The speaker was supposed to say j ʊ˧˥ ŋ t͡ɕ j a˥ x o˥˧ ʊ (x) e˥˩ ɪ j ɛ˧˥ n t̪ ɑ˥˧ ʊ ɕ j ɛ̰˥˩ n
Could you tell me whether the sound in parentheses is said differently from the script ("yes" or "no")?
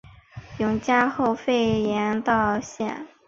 yes